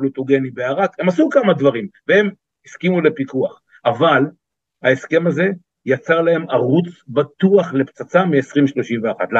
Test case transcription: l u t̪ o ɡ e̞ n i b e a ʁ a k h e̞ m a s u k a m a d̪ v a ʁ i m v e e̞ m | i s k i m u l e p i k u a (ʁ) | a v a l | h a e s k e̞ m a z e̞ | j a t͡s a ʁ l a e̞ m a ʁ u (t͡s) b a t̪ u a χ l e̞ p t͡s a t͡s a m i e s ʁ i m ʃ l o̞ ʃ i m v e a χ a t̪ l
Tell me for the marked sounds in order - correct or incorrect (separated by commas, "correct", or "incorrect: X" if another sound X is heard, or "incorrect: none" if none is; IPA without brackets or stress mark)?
incorrect: χ, correct